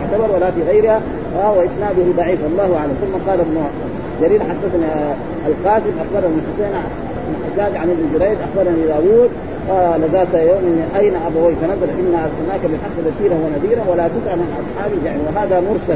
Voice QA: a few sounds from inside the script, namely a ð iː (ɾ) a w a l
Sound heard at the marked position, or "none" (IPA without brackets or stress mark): ɾ